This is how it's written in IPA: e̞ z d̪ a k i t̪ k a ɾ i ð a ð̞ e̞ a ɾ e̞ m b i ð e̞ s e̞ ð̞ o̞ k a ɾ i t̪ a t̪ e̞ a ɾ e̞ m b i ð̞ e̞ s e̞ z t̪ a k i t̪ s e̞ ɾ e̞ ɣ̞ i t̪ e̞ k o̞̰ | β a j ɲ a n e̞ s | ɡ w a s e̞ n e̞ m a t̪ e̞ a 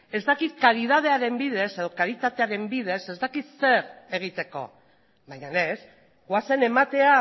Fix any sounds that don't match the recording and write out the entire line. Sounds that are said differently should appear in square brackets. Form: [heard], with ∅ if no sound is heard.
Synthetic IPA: e̞ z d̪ a k i t̪ k a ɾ i ð a ð̞ e̞ a ɾ e̞ m b i ð e̞ s e̞ ð̞ o̞ k a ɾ i t̪ a t̪ e̞ a ɾ e̞ m b i ð̞ e̞ s e̞ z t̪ a k i t̪ s e̞ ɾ e̞ ɣ̞ i t̪ e̞ k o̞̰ | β a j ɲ a n e̞ s | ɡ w a s e̞ n e̞ m a t̪ e̞ a